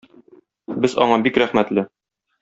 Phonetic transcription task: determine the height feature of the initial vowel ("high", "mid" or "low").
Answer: mid